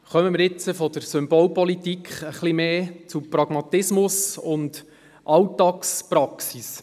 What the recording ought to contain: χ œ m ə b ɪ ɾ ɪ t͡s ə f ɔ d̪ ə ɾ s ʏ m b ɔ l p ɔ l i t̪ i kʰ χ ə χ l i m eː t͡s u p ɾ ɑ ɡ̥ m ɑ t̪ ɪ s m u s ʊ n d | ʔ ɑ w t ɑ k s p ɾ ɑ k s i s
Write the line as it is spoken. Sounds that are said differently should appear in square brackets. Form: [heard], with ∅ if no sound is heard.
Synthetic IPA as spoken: χ œ m ə [m] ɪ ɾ ɪ t͡s ə f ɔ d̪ ə ɾ s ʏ m b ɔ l p ɔ l i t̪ i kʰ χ ə χ l i m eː t͡s u p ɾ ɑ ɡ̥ m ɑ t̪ ɪ s m [ʊ] s ʊ n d | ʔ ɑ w t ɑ k s p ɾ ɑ k s i s